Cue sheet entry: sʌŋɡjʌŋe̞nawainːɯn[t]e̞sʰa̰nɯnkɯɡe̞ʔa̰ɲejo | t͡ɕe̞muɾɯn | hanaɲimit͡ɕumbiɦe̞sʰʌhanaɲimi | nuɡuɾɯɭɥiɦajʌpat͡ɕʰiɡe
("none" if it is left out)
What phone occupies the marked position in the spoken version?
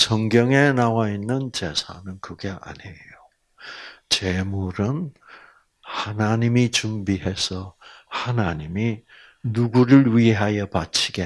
t͡ɕ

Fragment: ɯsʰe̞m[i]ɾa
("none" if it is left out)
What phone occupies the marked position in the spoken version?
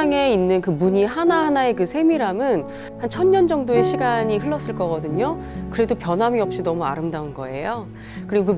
i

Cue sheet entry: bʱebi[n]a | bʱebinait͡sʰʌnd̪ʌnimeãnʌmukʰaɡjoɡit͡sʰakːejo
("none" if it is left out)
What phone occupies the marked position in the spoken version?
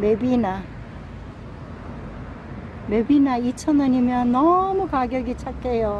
n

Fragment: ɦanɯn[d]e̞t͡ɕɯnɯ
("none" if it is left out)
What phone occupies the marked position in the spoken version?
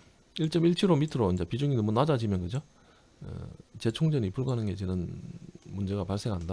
ɡ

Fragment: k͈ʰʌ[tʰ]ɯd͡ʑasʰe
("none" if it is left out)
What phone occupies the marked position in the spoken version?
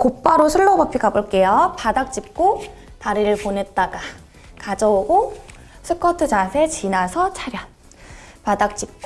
tʰ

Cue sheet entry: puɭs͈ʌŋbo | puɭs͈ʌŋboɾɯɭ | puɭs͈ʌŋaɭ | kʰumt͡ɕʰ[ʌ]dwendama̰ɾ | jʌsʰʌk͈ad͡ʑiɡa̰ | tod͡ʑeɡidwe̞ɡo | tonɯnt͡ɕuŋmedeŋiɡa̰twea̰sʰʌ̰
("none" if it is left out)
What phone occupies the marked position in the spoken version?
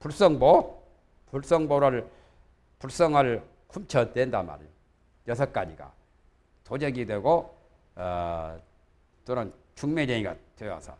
ʌ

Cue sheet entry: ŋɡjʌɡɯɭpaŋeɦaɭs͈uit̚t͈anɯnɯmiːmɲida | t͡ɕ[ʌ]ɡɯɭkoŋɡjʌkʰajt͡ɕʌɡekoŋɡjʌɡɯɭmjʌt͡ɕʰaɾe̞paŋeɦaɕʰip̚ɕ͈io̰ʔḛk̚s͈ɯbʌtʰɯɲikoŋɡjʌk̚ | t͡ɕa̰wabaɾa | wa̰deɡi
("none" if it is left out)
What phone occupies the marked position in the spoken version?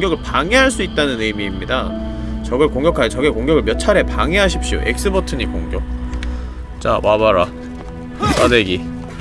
ʌ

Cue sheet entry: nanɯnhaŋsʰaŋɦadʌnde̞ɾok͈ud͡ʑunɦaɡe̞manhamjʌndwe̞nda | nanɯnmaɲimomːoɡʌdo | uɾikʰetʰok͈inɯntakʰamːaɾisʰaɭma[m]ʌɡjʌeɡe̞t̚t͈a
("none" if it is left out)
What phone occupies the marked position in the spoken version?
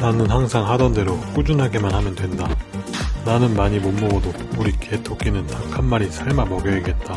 m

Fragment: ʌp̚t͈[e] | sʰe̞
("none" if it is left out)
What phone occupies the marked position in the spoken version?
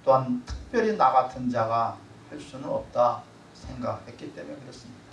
a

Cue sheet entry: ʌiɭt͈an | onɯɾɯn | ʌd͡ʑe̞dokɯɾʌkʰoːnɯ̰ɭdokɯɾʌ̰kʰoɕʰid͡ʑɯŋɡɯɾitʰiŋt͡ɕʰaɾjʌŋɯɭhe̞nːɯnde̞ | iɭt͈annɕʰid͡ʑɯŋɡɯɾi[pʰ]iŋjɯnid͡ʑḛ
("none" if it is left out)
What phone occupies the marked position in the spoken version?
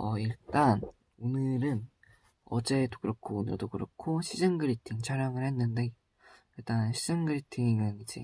tʰ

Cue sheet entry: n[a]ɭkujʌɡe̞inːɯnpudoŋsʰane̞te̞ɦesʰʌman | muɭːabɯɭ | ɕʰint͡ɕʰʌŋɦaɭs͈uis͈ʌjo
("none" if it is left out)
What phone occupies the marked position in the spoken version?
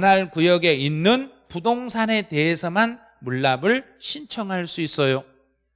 a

